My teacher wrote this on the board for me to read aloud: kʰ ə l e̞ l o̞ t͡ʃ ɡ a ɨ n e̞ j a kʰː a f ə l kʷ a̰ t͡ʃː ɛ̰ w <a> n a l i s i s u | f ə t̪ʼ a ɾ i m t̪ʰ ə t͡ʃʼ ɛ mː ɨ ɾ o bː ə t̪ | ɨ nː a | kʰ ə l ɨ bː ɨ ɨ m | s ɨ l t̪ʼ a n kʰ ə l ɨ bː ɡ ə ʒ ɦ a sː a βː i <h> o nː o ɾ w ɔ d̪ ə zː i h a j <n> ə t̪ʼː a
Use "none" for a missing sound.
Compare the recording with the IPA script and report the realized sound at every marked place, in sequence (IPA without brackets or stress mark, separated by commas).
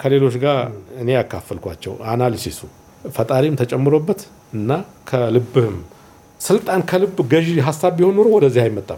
a, h, m